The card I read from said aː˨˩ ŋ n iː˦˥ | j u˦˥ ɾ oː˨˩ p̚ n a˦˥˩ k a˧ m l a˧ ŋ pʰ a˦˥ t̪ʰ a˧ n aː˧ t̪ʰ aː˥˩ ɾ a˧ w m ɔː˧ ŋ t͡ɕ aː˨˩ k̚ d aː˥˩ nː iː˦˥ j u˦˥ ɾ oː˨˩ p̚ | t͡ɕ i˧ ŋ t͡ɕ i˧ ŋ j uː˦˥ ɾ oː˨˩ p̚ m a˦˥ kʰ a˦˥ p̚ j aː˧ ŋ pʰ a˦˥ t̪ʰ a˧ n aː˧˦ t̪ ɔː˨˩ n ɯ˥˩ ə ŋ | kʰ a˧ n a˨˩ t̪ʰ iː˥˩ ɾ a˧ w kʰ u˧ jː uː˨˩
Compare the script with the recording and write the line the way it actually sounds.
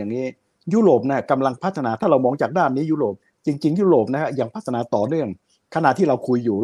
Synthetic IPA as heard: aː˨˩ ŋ n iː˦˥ | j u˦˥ ɾ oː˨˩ p̚ n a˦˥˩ k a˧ m l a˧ ŋ pʰ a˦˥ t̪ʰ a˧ n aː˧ t̪ʰ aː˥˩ ɾ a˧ w m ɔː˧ ŋ t͡ɕ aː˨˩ k̚ d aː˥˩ nː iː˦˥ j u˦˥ ɾ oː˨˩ p̚ | t͡ɕ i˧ ŋ t͡ɕ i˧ ŋ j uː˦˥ ɾ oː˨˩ p̚ n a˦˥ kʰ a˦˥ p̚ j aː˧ ŋ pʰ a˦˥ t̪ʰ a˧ n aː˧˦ t̪ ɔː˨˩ n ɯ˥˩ ə ŋ | kʰ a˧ n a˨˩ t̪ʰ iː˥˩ ɾ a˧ w kʰ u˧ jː uː˨˩